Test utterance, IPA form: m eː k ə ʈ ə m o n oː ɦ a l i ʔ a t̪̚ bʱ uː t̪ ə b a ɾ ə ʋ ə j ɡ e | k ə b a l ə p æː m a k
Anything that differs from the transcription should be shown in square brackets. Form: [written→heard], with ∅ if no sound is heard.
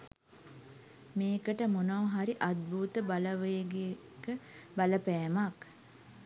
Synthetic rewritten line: m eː k ə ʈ ə m o n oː ɦ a [l→ɾ] i ʔ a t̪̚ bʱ uː t̪ ə b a [ɾ→l] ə ʋ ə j ɡ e | k ə b a l ə p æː m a k